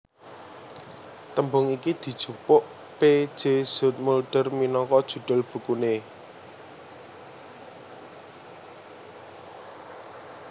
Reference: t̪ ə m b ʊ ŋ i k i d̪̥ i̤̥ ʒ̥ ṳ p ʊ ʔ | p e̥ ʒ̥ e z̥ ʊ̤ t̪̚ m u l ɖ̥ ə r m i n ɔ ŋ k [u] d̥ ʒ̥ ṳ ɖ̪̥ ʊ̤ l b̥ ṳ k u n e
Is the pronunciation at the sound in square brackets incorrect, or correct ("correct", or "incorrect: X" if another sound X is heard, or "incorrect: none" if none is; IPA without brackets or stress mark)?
incorrect: ɔ